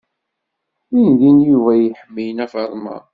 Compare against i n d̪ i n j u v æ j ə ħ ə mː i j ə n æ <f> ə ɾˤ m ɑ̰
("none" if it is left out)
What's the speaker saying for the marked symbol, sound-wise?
f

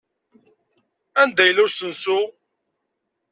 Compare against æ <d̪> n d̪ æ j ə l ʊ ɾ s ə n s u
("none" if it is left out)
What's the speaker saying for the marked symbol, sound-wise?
none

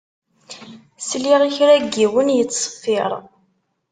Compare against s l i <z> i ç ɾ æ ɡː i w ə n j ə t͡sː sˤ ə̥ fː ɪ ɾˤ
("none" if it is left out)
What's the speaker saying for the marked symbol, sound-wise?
ʁ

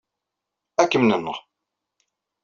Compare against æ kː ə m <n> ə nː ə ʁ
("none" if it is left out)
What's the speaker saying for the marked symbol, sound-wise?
n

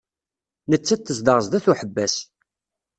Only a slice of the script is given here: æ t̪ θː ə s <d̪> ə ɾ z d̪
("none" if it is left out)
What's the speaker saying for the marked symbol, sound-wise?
d̪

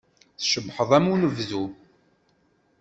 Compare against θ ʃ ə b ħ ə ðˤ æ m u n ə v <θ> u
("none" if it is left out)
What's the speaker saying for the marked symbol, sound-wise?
ð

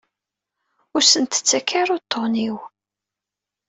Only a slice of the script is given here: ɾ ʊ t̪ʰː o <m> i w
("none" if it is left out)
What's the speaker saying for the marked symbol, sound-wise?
n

